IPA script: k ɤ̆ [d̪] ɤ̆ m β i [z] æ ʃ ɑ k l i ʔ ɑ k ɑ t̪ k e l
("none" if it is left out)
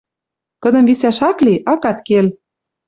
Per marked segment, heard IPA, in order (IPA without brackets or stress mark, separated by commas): d̪, s